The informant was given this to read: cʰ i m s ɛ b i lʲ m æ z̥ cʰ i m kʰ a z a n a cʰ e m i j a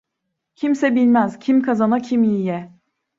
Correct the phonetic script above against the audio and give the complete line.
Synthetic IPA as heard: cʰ i m s ɛ b i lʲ m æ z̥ cʰ i m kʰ a z a n a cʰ i m i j ɛ